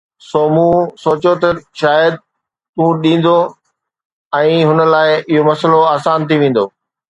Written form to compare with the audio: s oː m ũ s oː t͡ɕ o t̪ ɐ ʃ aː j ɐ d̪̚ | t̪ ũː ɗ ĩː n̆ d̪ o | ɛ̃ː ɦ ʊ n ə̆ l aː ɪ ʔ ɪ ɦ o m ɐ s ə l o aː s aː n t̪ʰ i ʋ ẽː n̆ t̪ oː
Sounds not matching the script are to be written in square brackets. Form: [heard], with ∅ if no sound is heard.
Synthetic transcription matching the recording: s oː m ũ s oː t͡ɕ o t̪ ɐ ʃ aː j [ə] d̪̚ | t̪ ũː ɗ ĩː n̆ d̪ o | ɛ̃ː ɦ ʊ n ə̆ l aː ɪ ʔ ɪ ɦ o m ɐ s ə l o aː s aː n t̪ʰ i ʋ ẽː n̆ [d̪] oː